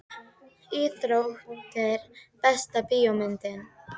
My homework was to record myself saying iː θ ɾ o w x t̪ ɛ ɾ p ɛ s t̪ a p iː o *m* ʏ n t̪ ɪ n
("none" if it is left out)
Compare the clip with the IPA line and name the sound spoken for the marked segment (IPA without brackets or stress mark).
m